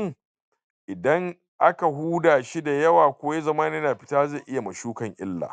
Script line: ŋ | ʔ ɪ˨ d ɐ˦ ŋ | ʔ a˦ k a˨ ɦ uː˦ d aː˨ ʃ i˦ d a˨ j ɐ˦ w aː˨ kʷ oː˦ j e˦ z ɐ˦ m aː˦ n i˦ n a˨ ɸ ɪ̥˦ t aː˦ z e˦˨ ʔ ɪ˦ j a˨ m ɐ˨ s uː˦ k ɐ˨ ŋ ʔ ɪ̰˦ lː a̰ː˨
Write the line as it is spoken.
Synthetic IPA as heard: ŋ | ʔ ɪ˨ d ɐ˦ ŋ | ʔ a˦ k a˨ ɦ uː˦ d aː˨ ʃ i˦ d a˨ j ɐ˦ w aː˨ kʷ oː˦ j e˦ z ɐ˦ m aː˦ n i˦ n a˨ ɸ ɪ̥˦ t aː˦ z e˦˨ ʔ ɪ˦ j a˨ m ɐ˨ ʃ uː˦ k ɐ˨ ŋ ʔ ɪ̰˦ lː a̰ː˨